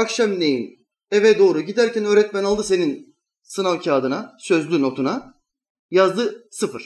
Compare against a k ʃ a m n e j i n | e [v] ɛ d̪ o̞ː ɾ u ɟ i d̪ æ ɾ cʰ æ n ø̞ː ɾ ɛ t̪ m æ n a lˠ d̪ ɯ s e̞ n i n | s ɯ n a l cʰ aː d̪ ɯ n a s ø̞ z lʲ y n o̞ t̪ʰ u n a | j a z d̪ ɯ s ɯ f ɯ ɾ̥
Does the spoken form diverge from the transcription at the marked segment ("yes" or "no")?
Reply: no